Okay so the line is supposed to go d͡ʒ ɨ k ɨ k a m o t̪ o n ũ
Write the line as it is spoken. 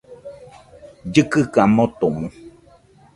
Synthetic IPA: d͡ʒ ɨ k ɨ k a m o t̪ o m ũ